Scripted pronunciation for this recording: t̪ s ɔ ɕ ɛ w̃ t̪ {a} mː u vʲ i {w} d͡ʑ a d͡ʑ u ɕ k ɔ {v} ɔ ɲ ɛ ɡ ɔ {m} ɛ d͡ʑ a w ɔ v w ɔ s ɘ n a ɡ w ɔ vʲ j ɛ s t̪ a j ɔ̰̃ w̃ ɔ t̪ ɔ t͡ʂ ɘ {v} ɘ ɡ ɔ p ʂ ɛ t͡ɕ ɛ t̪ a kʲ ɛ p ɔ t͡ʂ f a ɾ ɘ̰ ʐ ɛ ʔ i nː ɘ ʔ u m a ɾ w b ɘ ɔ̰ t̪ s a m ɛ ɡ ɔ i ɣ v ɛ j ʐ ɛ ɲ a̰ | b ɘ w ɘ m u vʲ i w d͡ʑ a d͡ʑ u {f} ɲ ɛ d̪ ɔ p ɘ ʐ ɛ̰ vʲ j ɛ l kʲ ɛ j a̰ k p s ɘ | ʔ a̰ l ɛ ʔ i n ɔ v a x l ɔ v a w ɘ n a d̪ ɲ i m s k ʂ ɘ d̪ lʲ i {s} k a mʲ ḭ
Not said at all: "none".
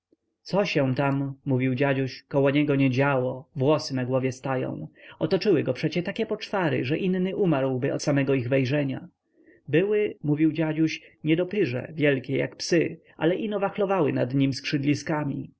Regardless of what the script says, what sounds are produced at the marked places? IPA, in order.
a, w, w, ɲ, w, ɕ, s

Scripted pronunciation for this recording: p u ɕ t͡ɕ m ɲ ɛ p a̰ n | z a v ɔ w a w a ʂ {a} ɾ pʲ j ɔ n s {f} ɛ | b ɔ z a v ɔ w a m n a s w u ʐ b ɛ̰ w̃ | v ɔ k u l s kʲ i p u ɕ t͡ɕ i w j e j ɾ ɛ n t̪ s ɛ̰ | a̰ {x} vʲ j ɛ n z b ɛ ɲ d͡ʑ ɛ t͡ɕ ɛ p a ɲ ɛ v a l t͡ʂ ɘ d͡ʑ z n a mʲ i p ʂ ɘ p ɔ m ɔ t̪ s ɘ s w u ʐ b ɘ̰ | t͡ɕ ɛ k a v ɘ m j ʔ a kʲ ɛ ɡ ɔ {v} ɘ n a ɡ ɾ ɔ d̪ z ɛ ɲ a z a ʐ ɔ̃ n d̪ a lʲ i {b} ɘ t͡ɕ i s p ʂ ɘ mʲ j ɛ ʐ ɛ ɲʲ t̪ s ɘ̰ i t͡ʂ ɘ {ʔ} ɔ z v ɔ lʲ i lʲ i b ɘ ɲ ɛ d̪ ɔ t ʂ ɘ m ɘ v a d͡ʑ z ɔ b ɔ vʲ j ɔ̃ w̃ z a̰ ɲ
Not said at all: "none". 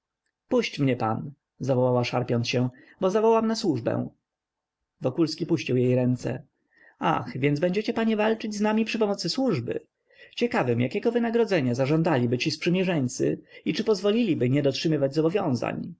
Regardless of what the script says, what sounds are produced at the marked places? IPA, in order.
a, ɕ, x, v, b, p

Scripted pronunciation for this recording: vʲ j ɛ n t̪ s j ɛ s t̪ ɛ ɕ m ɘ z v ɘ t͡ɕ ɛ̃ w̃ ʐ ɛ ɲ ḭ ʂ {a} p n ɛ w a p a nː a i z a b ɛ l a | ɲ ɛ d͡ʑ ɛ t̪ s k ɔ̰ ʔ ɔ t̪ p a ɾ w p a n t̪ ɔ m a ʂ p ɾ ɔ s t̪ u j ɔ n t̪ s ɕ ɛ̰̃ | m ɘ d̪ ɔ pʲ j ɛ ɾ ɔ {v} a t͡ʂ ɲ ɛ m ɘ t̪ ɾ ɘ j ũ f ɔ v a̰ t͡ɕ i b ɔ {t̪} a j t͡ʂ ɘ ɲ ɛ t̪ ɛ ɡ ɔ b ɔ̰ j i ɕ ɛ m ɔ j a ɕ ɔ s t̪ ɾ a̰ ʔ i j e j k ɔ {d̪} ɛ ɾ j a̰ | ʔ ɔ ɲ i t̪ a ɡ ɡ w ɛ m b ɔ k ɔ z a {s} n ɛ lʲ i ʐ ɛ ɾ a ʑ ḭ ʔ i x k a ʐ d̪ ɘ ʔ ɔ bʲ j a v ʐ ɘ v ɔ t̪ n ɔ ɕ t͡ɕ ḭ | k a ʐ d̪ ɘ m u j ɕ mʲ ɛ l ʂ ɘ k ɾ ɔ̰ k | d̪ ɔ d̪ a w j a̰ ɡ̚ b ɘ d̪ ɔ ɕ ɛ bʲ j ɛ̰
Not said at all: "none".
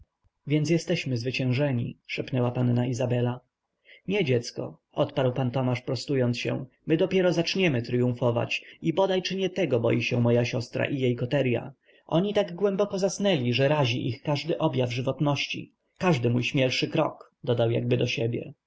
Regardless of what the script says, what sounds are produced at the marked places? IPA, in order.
ɛ, z, d̪, t̪, s

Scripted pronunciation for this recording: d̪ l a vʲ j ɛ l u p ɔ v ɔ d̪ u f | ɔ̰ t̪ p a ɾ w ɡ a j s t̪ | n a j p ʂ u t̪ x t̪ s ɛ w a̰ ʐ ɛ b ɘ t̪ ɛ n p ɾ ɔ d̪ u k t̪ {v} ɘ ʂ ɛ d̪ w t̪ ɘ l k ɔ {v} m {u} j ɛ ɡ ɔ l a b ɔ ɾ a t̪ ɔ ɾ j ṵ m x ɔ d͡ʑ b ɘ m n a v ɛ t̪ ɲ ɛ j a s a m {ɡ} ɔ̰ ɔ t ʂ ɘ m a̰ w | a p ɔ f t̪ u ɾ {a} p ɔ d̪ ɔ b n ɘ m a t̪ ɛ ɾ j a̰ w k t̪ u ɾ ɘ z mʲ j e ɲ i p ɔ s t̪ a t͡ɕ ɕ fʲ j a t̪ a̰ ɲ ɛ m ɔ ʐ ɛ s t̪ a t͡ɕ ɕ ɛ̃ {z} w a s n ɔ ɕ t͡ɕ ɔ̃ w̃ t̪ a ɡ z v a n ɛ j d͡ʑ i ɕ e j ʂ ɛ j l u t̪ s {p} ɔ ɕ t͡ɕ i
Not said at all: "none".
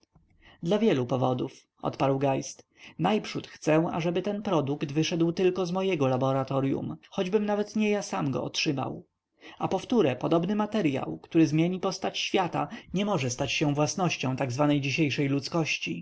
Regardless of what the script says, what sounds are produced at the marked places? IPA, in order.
v, z, ɔ, ɡ, ɛ, v, k

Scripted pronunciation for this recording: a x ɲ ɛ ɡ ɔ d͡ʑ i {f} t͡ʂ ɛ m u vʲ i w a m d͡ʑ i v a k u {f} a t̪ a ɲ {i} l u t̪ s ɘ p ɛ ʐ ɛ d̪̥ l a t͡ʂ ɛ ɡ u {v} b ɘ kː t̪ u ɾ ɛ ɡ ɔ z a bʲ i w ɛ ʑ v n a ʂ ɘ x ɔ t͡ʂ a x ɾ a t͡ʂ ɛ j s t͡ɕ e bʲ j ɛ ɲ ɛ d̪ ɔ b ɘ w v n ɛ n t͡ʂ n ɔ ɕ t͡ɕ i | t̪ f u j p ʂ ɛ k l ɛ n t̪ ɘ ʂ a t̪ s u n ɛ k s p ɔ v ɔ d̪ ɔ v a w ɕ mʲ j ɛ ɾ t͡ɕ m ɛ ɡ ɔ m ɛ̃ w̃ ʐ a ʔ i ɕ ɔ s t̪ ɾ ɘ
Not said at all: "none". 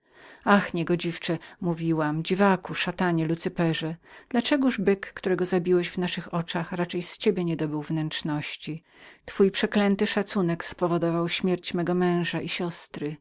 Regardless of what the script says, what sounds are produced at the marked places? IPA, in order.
f, ʂ, ɛ, ʐ

